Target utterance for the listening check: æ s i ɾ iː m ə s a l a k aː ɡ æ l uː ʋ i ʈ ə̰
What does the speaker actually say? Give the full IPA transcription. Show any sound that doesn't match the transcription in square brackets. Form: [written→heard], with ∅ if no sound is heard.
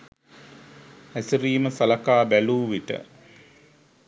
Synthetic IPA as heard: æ s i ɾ iː m ə s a l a k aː [ɡ→b] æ l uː ʋ i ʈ ə̰